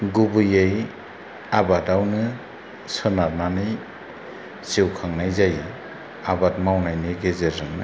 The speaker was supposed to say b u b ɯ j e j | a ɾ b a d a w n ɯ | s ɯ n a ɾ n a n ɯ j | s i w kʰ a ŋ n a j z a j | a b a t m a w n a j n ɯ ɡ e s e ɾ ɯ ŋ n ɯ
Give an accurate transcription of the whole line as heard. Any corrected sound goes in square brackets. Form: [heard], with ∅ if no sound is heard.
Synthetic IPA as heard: [ɡ] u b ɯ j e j | a [∅] b a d a w n ɯ | s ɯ n a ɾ n a n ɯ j | s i w kʰ a ŋ n a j z a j | a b a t m a w n a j n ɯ ɡ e [z] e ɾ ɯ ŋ n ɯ